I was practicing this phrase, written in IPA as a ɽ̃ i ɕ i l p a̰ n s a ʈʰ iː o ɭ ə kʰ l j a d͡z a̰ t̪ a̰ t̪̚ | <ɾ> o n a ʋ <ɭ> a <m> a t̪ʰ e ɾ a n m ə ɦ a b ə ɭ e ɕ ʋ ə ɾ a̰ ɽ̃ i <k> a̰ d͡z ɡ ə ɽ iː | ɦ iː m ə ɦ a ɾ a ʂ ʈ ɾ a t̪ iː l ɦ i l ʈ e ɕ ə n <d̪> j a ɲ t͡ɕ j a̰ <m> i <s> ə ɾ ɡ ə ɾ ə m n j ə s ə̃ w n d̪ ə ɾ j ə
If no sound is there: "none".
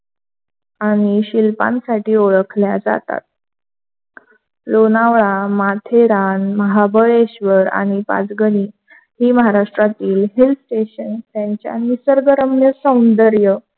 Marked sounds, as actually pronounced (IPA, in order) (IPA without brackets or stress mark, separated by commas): l, ɭ, m, p, t̪, m, s